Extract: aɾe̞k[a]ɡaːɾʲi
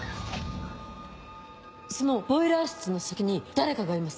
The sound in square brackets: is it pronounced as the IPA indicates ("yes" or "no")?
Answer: yes